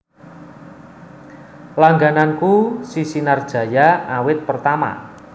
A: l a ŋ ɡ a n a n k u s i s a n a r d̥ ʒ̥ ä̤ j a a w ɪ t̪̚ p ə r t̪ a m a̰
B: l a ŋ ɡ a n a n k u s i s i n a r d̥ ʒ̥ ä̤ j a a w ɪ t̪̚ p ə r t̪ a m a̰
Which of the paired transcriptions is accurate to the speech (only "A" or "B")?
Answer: B